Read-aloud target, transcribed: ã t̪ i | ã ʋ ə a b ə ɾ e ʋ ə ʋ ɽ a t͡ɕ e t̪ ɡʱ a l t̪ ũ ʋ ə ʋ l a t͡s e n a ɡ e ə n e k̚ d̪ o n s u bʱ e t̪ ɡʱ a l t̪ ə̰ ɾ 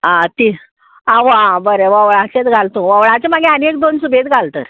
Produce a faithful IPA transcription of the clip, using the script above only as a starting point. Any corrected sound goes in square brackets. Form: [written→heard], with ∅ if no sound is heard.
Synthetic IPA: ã t̪ i | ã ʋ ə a b ə ɾ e ʋ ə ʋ [ɽ→ɭ] a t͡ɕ e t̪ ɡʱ a l t̪ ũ ʋ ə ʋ [l→ɭ] a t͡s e [n→m] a ɡ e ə n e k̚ d̪ o n s u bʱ e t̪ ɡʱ a l t̪ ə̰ ɾ

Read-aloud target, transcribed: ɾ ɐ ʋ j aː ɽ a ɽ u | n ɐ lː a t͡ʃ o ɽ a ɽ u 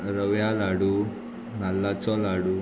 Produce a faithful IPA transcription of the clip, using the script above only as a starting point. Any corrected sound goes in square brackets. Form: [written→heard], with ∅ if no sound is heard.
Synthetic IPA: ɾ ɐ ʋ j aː [ɽ→l] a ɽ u | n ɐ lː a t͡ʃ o [ɽ→l] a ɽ u

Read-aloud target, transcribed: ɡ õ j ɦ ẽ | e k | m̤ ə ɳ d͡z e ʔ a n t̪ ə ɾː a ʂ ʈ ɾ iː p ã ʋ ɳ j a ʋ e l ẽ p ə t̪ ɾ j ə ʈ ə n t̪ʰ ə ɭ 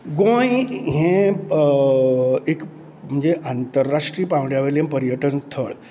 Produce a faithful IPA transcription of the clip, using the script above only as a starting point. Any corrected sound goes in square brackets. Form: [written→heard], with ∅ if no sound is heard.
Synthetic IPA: ɡ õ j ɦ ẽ | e k | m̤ ə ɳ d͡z e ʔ a n t̪ ə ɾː a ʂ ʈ ɾ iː p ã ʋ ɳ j a ʋ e l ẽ p ə [t̪→∅] ɾ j ə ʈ ə n t̪ʰ ə ɭ

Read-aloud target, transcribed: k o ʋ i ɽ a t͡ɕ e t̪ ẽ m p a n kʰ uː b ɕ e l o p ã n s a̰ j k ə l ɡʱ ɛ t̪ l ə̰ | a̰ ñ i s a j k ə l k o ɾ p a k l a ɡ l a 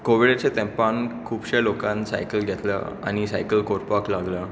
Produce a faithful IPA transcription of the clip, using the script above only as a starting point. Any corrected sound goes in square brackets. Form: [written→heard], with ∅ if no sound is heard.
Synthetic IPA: k o ʋ i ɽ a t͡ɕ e t̪ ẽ m p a n kʰ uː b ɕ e l o [p→k] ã n s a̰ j k ə l ɡʱ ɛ t̪ l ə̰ | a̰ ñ i s a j k ə l k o ɾ p a k l a ɡ l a

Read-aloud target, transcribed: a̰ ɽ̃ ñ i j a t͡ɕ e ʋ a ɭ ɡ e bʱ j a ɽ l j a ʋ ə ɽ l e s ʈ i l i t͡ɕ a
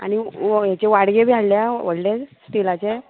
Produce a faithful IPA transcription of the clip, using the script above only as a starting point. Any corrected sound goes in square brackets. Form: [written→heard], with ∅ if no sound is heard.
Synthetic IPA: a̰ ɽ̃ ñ i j a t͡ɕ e ʋ a [ɭ→ɽ] ɡ e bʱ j a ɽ l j a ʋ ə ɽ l e s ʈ i l [i→a] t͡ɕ [a→e]

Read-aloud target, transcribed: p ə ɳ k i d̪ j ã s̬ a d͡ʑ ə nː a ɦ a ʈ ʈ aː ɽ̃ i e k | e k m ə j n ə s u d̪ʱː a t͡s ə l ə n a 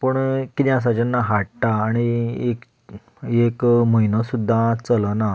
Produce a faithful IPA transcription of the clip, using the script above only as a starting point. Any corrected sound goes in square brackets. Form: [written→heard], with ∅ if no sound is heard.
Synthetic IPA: p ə ɳ k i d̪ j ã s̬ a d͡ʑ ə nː a ɦ a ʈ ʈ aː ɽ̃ i e k | e k m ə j n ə s u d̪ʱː a t͡s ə l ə n a

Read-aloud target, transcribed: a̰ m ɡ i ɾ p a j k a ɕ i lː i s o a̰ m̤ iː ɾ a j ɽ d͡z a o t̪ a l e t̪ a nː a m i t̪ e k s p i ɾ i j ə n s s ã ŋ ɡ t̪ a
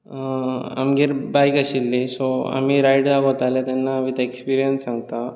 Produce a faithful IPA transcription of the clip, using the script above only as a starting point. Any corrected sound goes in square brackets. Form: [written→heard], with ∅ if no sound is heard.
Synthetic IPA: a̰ m ɡ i ɾ [p→b] a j k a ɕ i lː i s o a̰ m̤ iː ɾ a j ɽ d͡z a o t̪ a l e t̪ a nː a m i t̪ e k s p i ɾ i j ə n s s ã ŋ ɡ t̪ a

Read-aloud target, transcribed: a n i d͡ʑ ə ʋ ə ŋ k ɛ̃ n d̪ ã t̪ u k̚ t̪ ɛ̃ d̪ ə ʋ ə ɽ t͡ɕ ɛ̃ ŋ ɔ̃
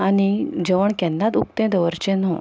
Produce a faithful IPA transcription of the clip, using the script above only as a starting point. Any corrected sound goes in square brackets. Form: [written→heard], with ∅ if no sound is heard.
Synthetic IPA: a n i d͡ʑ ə ʋ ə [ŋ→ɳ] k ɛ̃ n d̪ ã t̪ u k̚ t̪ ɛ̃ d̪ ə ʋ ə [ɽ→ɾ] t͡ɕ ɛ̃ [ŋ→n] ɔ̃

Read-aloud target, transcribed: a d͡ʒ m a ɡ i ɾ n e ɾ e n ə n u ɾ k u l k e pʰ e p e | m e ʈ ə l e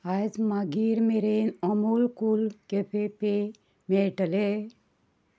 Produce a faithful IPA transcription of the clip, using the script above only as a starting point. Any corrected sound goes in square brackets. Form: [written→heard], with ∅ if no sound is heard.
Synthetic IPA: a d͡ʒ m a ɡ i ɾ [n→m] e ɾ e n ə [n→m] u [ɾ→l] k u l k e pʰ e p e | m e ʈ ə l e

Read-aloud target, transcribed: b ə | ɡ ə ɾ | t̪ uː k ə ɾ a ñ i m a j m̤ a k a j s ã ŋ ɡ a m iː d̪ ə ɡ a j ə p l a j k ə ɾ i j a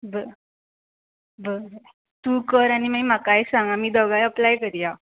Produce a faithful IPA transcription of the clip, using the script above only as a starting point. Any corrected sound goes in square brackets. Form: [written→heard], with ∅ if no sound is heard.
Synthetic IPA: b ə | [ɡ→b] ə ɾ | t̪ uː k ə ɾ a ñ i m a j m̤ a k a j s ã ŋ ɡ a m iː d̪ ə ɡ a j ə p l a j k ə ɾ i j a

